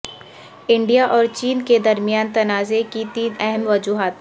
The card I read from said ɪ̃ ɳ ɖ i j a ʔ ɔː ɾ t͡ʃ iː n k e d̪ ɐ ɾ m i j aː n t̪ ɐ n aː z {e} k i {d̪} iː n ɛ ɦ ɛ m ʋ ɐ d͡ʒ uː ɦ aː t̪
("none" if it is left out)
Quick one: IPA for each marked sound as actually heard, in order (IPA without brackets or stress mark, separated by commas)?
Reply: e, t̪